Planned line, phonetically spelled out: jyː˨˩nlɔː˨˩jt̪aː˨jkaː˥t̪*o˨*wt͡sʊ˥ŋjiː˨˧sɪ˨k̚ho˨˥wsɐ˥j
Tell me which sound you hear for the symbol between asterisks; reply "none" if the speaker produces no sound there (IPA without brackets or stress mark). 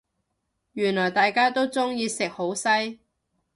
o˥